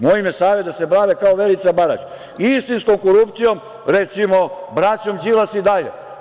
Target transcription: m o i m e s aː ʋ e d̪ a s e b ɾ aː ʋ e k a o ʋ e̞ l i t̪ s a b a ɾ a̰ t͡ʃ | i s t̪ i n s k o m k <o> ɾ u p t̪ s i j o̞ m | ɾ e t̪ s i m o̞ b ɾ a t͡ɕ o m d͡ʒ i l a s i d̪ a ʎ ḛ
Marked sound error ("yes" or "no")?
no